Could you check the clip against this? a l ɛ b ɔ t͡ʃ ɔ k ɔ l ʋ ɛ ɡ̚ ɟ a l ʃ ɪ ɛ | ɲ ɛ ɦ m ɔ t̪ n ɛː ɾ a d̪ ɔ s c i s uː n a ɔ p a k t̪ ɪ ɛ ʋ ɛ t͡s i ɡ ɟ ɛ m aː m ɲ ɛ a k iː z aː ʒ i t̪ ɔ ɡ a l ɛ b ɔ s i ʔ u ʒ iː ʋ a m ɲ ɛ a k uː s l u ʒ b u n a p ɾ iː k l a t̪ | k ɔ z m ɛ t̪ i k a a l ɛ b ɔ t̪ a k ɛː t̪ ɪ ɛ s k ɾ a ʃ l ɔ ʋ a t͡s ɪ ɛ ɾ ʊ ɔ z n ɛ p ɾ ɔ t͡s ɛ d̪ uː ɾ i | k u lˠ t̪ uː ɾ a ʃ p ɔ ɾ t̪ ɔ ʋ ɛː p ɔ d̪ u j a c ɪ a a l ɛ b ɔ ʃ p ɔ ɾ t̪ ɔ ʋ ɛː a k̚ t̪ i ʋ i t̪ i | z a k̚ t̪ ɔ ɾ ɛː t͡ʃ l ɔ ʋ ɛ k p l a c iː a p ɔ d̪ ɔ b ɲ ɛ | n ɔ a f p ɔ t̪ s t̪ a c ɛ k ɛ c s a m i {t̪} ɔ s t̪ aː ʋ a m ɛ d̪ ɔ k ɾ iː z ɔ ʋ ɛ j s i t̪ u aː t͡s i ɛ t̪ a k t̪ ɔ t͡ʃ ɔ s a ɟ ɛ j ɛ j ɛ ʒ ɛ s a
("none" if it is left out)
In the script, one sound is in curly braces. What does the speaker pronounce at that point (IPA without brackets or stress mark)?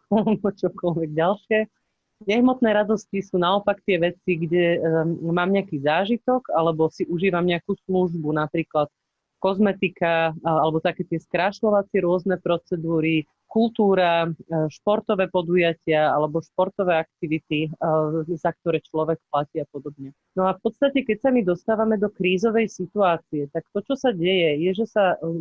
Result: d̪